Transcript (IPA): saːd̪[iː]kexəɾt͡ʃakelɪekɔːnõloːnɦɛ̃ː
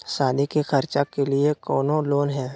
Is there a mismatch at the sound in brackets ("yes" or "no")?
yes